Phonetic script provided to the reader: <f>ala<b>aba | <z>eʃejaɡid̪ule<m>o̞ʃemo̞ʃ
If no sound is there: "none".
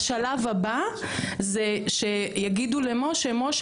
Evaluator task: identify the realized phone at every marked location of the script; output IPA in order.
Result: ʃ, v, z, m

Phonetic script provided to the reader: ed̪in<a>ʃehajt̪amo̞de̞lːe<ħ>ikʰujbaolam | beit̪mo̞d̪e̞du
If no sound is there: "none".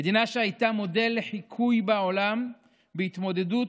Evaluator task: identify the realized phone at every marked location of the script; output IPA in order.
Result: a, ħ

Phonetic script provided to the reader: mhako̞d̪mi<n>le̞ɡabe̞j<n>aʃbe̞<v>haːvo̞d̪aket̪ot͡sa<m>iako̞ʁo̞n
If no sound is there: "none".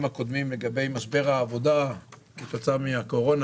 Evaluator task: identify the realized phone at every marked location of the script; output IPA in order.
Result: m, m, ʁ, m

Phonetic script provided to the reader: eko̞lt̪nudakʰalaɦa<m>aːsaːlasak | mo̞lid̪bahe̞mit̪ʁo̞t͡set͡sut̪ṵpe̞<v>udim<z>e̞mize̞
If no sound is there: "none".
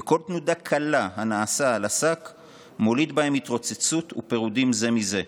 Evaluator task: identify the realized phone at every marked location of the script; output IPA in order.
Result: n, ʁ, z

